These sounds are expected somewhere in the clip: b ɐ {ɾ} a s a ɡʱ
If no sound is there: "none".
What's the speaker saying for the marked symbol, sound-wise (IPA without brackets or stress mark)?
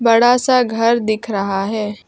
ɽ